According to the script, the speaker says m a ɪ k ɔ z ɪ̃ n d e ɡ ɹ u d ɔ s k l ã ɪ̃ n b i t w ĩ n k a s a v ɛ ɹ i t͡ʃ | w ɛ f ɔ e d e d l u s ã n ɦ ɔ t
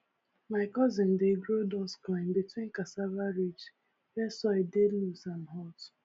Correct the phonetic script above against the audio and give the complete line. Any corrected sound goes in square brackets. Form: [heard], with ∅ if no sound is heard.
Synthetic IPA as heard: m a ɪ k ɔ z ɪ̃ n d e ɡ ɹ [o] d ɔ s k l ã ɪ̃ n b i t w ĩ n k a s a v [a] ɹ i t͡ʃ | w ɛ [s] ɔ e d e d l u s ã n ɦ ɔ t